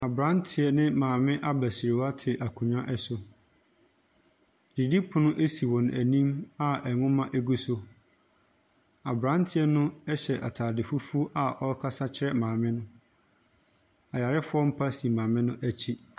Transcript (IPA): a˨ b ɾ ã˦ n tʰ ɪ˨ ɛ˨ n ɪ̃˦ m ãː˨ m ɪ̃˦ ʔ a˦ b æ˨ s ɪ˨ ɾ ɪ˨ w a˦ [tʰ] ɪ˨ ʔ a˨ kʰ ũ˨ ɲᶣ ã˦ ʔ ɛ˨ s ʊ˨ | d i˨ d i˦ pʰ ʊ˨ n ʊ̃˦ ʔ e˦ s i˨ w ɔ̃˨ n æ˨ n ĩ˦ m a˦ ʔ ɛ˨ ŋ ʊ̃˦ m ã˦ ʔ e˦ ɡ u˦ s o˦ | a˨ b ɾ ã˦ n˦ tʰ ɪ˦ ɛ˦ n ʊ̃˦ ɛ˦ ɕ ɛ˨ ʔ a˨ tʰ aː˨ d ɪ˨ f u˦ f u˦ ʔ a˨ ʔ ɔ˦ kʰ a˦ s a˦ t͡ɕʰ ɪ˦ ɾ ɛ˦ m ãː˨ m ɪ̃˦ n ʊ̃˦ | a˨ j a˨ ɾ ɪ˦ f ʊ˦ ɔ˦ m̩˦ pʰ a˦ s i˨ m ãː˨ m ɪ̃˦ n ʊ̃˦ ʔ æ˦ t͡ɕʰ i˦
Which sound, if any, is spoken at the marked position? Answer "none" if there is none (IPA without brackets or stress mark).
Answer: tʰ